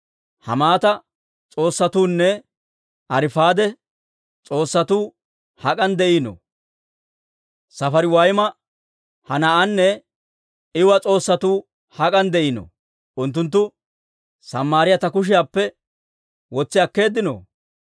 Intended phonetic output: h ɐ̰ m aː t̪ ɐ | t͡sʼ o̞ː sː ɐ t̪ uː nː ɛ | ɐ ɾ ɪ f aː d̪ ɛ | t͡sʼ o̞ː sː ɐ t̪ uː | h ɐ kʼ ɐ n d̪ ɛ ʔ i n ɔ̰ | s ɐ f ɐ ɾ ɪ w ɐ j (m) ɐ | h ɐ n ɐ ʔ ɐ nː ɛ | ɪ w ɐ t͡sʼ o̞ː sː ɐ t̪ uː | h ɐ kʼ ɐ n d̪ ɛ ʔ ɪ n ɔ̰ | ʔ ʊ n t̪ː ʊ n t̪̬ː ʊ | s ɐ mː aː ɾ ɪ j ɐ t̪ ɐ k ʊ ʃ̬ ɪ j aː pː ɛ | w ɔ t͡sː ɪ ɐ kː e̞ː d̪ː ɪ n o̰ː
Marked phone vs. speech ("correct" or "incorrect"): correct